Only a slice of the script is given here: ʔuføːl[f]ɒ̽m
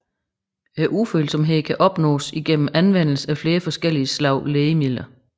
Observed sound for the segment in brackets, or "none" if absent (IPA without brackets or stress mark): s